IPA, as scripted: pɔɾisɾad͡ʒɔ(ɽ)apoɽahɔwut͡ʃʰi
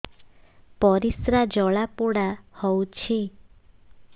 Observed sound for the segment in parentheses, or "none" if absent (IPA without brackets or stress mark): ɭ